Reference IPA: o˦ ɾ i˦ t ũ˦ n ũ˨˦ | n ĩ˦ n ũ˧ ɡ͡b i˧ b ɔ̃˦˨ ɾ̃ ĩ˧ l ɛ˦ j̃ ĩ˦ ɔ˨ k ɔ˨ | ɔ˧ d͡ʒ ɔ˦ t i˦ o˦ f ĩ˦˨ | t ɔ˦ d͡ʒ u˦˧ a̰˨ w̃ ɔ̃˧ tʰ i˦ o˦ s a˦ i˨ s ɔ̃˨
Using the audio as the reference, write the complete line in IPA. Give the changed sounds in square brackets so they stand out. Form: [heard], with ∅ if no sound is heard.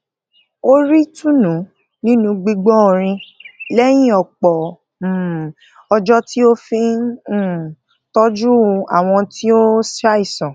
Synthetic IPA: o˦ ɾ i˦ t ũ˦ n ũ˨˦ | n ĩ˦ n ũ˧ ɡ͡b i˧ [ɡ͡b] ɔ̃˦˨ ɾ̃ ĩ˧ l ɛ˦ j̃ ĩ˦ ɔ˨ [k͡p] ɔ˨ | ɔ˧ d͡ʒ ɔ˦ t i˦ o˦ f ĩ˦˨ | t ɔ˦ d͡ʒ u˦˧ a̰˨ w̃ ɔ̃˧ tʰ i˦ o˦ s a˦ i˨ s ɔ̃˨